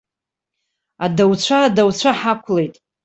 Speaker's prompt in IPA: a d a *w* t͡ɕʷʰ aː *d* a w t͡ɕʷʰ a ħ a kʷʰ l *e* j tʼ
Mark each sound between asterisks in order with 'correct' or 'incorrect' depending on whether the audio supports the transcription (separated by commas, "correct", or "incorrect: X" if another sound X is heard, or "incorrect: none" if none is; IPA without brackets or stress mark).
correct, correct, correct